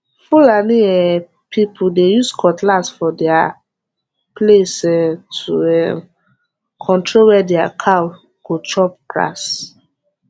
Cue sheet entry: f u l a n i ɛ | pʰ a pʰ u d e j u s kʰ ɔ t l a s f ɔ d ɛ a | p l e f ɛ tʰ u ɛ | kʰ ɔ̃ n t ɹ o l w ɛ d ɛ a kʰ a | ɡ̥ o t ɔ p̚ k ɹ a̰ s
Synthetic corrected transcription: f u l a n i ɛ | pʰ i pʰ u d e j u s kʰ ɔ t l a s f ɔ d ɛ a | p l e s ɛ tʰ u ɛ | kʰ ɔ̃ n t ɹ o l w ɛ d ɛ a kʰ a | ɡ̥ o t͡ʃ ɔ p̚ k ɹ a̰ s